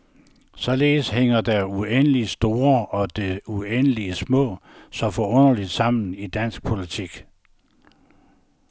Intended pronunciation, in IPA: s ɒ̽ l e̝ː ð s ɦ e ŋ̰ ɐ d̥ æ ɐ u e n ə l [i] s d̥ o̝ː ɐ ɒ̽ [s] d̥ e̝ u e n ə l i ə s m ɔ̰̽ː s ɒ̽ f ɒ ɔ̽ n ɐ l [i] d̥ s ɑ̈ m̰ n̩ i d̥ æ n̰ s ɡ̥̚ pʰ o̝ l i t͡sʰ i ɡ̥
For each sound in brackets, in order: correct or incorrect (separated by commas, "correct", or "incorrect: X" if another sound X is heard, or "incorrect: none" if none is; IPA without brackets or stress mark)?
correct, incorrect: none, correct